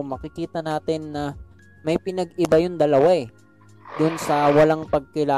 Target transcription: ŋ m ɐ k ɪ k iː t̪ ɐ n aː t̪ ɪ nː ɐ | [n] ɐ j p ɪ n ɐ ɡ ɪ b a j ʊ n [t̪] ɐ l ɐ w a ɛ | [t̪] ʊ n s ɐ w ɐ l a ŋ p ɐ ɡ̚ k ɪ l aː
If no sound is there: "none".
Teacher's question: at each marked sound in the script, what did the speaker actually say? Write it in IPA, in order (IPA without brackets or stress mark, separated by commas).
m, d̪, d̪